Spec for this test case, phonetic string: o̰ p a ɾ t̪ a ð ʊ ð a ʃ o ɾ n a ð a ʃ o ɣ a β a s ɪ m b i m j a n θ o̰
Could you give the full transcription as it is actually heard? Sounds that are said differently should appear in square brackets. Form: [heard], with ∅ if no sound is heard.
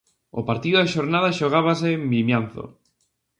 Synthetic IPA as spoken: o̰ p a ɾ t̪ [i] ð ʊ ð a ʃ o ɾ n a ð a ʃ o ɣ a β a s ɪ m b i m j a n θ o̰